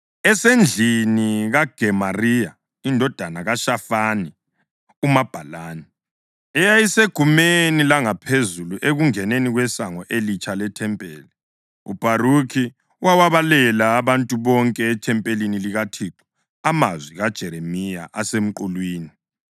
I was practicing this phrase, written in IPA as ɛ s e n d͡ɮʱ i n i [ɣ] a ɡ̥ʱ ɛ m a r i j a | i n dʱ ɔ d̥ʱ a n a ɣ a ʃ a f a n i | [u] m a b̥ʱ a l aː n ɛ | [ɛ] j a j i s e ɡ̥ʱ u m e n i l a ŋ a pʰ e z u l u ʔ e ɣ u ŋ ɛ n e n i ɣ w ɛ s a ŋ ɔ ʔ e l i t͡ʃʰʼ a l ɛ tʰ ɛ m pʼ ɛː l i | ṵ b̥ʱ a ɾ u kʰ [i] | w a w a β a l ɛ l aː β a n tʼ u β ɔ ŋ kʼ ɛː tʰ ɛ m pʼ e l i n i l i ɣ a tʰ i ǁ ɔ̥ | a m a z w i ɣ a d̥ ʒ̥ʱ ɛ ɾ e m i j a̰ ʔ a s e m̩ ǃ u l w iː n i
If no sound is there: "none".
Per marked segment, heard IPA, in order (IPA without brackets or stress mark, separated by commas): ɣ, u, ɛ, i